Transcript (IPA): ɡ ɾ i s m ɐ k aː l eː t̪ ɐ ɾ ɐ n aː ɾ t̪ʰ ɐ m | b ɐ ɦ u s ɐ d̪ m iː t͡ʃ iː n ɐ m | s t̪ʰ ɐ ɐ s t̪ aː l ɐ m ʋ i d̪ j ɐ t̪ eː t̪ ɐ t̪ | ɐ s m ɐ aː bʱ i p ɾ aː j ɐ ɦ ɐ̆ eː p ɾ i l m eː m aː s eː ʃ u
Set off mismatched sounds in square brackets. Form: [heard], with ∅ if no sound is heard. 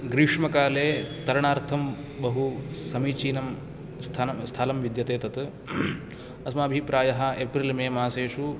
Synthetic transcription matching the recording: ɡ ɾ i [ʂ] m ɐ k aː l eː t̪ ɐ ɾ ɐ [ɳ] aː ɾ t̪ʰ ɐ m | b ɐ ɦ u s ɐ [∅] m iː t͡ʃ iː n ɐ m | s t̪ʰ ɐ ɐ s [t̪ʰ] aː l ɐ m ʋ i d̪ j ɐ t̪ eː t̪ ɐ t̪ | ɐ s m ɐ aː bʱ i p ɾ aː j ɐ ɦ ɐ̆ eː p ɾ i l m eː m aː s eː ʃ u